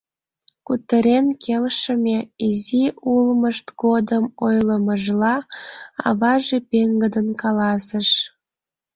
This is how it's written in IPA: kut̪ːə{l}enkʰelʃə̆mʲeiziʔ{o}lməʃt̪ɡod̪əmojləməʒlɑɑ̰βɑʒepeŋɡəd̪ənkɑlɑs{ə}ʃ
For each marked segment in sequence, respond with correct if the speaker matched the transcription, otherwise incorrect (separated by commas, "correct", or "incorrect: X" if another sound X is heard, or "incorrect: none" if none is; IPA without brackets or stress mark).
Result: incorrect: ɾ, incorrect: u, correct